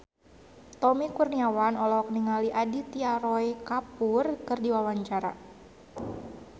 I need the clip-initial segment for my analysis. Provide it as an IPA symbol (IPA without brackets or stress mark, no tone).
t̪